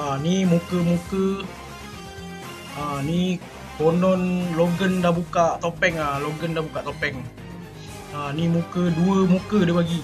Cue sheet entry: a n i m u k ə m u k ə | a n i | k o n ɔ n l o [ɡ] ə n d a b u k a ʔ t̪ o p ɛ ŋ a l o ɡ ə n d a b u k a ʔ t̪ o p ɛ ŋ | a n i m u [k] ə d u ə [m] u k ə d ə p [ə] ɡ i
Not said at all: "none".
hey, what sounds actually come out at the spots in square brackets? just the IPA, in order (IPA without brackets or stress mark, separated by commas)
ɡ, k, m, a